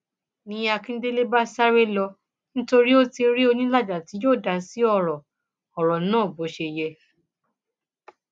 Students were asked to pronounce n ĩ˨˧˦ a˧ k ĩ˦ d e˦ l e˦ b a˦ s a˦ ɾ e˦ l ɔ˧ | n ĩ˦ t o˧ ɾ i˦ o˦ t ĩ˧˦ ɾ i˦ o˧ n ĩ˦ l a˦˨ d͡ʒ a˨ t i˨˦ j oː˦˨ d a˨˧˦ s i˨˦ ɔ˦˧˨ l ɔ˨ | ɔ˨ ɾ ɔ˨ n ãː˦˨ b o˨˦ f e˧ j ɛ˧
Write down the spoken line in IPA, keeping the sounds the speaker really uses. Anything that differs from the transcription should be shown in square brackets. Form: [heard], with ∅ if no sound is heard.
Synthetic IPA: n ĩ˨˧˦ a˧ k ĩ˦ d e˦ l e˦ b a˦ s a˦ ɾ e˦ l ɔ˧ | n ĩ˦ t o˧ ɾ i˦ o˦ t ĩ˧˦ ɾ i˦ o˧ n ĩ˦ l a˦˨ d͡ʒ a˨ t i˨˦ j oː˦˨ d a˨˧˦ s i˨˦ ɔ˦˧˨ [ɾ] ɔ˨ | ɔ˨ ɾ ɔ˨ n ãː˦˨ b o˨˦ [ʃ] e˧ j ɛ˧